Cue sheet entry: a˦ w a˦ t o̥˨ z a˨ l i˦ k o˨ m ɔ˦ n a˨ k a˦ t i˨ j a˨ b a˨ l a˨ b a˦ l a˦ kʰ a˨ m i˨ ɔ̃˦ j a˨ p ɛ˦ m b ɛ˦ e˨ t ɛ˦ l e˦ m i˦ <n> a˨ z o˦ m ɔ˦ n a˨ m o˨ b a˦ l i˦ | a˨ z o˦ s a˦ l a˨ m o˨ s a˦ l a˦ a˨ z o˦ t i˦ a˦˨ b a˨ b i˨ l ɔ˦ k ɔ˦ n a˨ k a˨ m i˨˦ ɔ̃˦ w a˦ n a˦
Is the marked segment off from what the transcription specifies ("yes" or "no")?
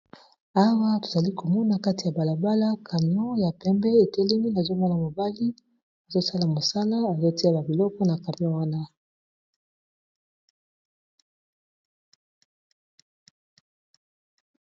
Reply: no